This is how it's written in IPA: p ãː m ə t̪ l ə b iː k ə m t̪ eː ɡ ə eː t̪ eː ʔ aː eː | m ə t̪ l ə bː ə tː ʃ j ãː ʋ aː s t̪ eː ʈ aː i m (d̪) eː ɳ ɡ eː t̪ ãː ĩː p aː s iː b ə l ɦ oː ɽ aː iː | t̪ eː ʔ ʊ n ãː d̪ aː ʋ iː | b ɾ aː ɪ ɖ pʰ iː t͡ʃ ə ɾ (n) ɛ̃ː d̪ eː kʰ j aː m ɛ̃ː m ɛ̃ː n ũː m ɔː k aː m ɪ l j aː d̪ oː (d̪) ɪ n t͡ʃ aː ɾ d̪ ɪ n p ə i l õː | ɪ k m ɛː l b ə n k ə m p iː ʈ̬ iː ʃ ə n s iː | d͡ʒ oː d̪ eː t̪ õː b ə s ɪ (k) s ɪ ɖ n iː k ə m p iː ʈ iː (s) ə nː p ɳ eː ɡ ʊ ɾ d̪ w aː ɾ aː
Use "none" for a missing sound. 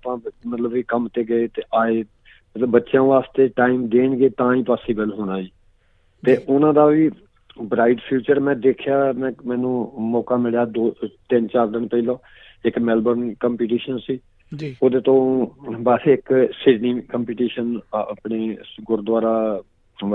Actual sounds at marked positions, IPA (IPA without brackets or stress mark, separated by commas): d̪, m, t̪, k, ʃ